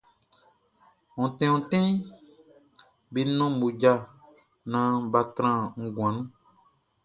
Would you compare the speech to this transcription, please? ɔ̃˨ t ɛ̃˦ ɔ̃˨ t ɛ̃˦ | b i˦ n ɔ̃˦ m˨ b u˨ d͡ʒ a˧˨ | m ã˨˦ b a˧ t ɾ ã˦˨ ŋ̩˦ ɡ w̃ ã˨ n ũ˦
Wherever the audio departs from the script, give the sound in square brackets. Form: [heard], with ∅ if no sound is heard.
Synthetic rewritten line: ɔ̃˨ t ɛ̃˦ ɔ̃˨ t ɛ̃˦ | b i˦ n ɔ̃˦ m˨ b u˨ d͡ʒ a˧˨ | [n] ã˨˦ b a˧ t ɾ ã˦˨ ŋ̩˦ ɡ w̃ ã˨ n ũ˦

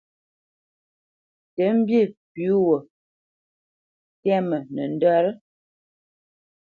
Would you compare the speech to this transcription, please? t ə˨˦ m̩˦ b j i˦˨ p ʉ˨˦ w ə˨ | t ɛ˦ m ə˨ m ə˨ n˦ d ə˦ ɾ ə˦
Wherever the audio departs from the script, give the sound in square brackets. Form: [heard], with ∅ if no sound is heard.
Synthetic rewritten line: t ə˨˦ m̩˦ b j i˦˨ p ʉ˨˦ w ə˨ | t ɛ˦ m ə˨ [n] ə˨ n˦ d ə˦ ɾ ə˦

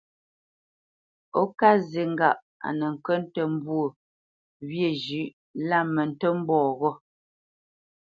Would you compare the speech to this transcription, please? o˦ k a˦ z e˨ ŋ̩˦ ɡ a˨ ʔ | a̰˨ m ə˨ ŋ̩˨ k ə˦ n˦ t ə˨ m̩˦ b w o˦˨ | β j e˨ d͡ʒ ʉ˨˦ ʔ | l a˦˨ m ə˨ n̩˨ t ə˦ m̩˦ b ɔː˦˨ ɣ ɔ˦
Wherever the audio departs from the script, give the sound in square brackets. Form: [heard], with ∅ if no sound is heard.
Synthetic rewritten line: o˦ k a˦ z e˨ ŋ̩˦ ɡ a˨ ʔ | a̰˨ [n] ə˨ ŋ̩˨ k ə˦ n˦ t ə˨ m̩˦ b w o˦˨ | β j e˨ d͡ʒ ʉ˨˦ ʔ | l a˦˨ m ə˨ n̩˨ t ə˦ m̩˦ b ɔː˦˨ ɣ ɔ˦

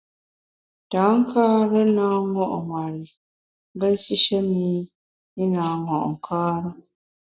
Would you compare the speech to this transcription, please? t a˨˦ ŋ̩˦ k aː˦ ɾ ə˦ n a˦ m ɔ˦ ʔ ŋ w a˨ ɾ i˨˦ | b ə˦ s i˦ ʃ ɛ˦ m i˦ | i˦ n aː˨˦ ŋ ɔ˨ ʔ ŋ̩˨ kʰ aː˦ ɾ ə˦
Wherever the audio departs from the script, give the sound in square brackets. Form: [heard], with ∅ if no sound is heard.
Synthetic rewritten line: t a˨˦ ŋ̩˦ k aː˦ ɾ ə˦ n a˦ [ŋ] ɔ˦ ʔ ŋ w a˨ ɾ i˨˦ | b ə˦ s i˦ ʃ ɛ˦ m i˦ | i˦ n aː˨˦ ŋ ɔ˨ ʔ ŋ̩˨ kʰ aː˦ ɾ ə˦

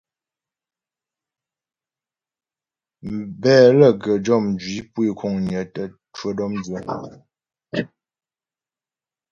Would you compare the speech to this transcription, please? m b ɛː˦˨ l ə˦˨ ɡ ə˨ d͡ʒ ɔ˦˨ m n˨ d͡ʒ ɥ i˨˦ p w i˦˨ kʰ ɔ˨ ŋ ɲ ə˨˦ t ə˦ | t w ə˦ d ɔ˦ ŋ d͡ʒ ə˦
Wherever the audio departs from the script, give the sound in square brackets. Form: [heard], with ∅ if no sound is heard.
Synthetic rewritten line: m b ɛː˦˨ l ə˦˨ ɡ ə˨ d͡ʒ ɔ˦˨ m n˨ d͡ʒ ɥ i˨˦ p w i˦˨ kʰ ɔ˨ ŋ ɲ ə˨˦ t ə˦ | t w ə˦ d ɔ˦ [m] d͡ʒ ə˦

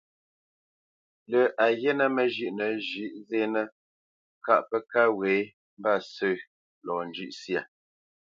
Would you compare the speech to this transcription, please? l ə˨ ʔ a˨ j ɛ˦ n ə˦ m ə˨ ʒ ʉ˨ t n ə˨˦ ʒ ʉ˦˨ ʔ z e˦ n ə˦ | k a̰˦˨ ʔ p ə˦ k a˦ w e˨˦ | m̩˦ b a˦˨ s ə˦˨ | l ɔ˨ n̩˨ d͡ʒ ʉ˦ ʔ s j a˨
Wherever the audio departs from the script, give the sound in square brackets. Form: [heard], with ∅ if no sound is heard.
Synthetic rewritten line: l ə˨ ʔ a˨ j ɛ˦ n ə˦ m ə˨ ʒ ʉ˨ [ʔ] n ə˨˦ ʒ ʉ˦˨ ʔ z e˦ n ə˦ | k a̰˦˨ ʔ p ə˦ k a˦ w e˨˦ | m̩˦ b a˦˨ s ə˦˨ | l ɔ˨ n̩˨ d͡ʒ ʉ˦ ʔ s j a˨

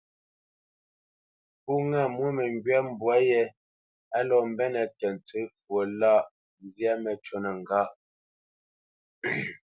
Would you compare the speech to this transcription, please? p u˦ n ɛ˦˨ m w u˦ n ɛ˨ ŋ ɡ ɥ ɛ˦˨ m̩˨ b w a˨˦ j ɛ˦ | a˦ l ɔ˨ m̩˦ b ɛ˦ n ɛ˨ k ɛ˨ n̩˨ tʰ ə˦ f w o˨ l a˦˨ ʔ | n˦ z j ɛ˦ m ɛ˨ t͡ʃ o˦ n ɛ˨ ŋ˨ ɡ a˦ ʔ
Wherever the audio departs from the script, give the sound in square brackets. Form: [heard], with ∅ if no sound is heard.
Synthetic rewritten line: p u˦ [ŋ] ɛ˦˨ m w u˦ [m] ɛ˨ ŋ ɡ ɥ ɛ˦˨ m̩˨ b w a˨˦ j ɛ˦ | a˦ l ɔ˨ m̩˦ b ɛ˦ n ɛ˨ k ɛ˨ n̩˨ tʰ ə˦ f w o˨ l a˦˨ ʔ | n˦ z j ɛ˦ m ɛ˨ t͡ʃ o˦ n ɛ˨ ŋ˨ ɡ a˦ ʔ

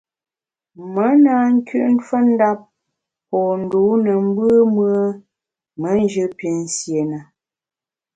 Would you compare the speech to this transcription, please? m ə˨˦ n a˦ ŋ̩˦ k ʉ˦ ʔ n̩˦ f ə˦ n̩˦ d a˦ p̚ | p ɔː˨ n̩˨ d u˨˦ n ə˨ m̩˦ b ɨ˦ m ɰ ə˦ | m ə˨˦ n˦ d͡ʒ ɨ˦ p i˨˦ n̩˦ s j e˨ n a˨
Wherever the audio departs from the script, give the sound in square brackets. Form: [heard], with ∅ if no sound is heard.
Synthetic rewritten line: m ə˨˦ n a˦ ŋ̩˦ k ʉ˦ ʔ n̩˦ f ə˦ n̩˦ d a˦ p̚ | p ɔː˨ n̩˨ d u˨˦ n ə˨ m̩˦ b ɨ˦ m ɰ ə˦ | m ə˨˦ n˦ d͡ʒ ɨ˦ p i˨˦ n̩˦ s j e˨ n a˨

